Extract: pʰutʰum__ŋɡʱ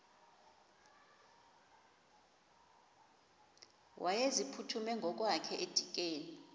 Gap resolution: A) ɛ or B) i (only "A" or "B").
A